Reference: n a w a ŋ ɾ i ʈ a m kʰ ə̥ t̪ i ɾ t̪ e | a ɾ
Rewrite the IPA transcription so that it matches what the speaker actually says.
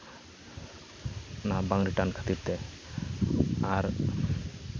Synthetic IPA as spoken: n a b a ŋ ɾ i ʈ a n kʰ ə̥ t̪ i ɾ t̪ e | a ɾ